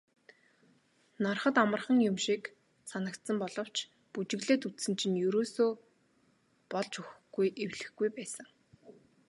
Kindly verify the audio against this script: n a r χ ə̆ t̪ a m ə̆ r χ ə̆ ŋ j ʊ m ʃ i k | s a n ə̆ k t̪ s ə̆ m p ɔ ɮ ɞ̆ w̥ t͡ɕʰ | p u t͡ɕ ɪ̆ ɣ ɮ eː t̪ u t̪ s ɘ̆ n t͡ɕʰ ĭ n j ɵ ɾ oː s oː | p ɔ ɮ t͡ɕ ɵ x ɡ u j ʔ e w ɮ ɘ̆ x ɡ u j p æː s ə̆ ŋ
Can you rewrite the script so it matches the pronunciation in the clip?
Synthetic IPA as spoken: n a r χ ə̆ t̪ a m ə̆ r χ ə̆ ŋ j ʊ m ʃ i k | s a n ə̆ k t̪ s ə̆ m p ɔ ɮ ɞ̆ w̥ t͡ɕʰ | p u t͡ɕ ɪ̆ ɣ ɮ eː t̪ u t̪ s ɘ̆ n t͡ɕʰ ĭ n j ɵ ɾ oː s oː | p ɔ ɮ t͡ɕ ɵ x ɡ u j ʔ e w ɮ ɘ̆ x ɡ u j p æː s ə̆ ŋ